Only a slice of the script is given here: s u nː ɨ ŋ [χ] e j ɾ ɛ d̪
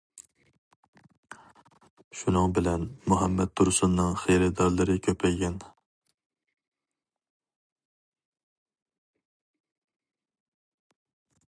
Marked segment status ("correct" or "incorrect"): correct